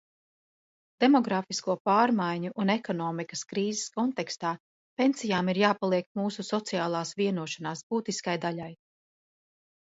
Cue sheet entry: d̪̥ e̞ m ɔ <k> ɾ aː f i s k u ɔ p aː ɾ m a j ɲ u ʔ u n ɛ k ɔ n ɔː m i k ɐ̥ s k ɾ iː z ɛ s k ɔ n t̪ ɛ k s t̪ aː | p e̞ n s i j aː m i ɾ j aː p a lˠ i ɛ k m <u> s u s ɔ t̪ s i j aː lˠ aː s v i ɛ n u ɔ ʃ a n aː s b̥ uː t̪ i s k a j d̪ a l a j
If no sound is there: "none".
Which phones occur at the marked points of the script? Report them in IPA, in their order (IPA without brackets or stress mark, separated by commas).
ɡ, uː